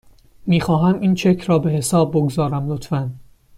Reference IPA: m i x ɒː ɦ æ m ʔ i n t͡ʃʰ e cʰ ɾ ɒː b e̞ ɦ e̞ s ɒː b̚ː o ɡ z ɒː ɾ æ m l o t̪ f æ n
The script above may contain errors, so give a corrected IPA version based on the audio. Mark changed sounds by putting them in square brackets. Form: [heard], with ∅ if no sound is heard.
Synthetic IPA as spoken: m [iː] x ɒː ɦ æ m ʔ i n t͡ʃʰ e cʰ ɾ ɒː b e̞ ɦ e̞ s ɒː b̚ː o ɡ z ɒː ɾ æ m l o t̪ f æ n